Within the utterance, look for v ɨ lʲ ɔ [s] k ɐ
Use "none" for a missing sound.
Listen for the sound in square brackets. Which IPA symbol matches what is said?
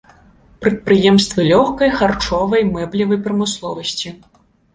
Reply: x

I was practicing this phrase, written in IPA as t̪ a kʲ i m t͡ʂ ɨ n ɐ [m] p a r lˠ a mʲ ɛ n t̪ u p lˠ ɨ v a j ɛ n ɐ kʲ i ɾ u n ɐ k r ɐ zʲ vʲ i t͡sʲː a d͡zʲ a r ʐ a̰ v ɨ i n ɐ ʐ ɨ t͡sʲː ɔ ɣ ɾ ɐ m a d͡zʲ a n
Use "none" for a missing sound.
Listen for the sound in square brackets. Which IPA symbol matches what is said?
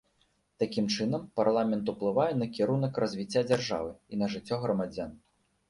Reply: m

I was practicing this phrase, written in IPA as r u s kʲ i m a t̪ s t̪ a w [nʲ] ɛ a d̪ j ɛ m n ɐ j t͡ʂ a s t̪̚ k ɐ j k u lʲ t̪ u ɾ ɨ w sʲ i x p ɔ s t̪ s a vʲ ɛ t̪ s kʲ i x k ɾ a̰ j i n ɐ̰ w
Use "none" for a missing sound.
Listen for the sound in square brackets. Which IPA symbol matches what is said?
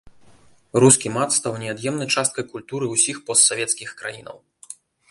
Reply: nʲ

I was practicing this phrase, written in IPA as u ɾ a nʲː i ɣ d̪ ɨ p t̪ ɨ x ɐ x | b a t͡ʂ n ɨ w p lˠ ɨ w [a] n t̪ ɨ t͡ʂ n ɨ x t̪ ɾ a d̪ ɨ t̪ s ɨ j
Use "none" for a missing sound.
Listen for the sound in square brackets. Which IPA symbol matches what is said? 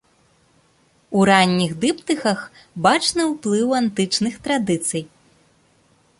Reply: a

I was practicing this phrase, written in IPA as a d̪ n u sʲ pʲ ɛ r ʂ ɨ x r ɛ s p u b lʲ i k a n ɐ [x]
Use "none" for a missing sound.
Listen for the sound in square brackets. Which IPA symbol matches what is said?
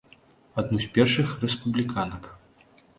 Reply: k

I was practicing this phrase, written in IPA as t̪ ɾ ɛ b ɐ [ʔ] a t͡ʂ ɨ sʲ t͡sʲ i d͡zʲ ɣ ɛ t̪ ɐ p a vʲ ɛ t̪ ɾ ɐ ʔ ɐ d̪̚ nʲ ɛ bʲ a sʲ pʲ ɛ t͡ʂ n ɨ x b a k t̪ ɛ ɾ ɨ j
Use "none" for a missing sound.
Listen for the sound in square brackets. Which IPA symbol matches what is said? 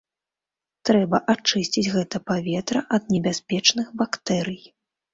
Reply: ʔ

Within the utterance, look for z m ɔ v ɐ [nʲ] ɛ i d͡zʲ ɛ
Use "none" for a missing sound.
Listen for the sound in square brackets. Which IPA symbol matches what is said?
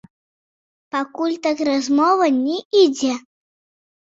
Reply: nʲ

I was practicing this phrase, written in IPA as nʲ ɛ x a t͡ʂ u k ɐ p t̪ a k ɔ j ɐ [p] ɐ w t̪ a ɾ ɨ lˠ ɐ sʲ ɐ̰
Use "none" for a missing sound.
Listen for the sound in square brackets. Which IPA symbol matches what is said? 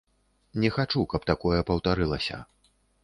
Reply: p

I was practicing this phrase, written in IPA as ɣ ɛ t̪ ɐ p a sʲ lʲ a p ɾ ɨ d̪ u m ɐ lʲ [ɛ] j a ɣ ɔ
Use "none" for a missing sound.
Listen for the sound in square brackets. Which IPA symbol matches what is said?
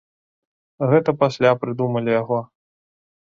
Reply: i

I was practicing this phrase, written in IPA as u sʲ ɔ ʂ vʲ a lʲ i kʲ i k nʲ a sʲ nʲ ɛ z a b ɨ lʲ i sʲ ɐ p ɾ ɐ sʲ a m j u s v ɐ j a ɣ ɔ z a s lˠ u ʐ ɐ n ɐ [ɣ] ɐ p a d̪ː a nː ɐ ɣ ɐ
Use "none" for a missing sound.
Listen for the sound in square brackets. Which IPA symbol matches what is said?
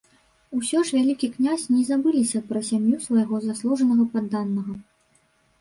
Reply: ɣ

